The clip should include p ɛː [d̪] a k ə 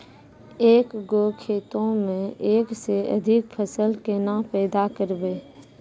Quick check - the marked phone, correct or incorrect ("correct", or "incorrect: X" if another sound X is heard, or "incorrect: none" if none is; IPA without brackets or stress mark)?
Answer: correct